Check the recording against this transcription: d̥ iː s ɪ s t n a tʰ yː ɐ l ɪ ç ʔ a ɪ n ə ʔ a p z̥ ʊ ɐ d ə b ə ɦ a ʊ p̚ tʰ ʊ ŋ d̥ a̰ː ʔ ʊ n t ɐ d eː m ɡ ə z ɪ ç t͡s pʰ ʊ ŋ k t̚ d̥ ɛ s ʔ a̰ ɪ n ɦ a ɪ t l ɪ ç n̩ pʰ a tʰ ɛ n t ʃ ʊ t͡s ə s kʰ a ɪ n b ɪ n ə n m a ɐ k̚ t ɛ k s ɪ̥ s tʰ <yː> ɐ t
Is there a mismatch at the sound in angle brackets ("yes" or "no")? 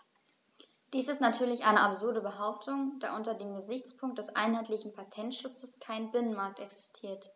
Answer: yes